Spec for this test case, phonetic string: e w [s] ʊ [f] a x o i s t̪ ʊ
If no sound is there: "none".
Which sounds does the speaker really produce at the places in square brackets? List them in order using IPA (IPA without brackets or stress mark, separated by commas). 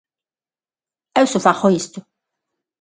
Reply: s, f